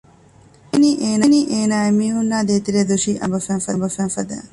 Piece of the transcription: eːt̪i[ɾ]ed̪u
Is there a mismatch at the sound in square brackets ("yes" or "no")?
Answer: no